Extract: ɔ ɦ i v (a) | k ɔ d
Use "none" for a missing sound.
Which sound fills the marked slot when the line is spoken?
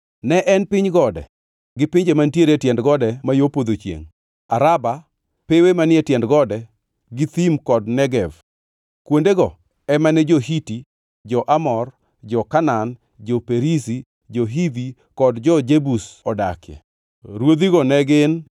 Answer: i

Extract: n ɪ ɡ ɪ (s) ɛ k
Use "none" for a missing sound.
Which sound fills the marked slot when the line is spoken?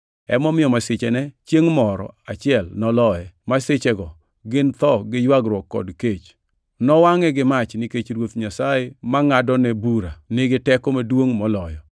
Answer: t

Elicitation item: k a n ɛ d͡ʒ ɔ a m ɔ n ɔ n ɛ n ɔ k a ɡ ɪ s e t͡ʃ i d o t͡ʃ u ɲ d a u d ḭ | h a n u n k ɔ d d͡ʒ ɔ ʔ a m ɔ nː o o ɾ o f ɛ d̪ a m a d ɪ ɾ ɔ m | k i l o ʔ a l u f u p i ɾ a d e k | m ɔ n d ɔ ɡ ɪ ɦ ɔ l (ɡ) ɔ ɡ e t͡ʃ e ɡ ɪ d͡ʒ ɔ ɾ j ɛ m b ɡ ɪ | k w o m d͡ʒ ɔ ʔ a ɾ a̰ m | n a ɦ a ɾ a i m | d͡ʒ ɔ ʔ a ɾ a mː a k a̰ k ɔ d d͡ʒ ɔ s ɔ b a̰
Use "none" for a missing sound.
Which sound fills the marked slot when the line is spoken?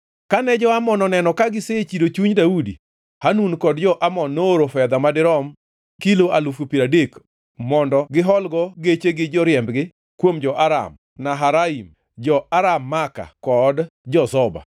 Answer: ɡ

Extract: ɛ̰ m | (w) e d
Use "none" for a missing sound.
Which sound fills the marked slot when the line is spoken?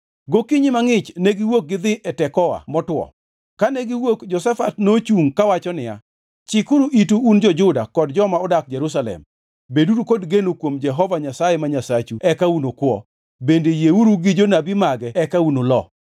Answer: b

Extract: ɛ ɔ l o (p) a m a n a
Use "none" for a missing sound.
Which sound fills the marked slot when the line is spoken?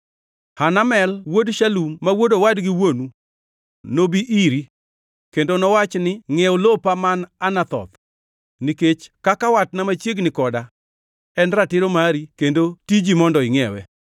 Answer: p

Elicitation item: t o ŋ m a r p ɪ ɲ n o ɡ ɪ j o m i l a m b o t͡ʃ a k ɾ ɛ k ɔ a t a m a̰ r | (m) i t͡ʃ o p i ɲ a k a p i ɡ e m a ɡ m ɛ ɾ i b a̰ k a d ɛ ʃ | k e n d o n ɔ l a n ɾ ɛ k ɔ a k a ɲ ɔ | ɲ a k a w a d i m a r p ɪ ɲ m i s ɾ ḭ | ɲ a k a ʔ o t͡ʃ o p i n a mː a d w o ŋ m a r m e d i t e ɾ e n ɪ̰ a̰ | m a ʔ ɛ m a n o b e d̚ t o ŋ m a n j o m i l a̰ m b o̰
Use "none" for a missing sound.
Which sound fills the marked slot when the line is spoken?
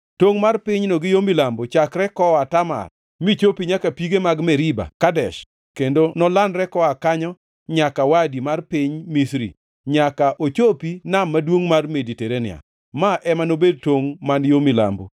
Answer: m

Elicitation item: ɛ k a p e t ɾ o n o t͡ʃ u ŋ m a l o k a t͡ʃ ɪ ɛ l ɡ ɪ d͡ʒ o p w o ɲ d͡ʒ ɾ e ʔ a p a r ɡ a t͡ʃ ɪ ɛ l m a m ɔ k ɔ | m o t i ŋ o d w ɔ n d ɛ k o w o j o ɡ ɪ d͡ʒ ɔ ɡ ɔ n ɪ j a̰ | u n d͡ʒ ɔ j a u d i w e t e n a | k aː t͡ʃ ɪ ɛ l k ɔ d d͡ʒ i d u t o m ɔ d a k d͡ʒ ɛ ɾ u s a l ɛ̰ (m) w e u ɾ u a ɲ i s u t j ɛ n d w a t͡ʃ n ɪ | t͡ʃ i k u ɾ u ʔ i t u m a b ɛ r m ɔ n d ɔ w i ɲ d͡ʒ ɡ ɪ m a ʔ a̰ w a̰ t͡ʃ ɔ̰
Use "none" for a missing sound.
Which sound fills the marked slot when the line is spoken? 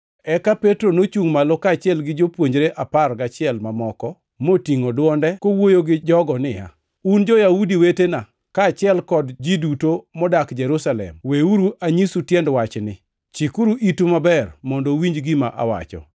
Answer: m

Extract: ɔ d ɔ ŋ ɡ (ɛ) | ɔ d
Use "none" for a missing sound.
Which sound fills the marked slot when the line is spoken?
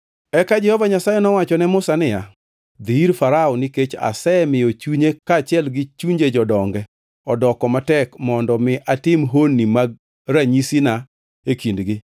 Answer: ɛ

